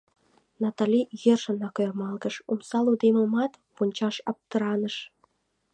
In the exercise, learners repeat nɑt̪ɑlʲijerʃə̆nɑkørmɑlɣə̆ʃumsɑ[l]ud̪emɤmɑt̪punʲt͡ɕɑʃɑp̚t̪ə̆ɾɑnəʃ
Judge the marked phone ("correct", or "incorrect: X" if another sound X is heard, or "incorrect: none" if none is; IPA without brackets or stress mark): correct